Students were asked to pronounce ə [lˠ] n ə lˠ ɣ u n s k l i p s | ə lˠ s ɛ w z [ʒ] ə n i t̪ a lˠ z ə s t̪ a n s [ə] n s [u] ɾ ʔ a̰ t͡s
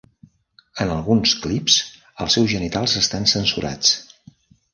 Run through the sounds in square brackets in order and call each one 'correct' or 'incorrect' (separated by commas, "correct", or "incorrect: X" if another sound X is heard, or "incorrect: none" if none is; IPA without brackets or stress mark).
incorrect: none, correct, correct, correct